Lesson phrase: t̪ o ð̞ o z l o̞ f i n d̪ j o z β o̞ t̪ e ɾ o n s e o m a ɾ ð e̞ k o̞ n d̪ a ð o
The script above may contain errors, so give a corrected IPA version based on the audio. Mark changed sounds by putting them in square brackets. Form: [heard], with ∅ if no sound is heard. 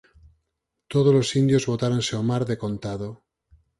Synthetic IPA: t̪ o ð̞ o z l o̞ [s] i n d̪ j o z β o̞ t̪ [a] ɾ o n s e o m a ɾ ð e̞ k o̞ n [t̪] a ð o